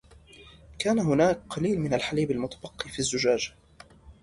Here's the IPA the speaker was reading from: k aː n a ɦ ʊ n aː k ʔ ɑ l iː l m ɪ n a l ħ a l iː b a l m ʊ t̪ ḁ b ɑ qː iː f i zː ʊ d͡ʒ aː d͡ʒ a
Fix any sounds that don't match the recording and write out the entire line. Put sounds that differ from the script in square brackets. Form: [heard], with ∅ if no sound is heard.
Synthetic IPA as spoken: k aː n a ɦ ʊ n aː k [q] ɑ l iː l m ɪ n a l ħ a l iː b a l m ʊ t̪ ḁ b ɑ qː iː f i zː ʊ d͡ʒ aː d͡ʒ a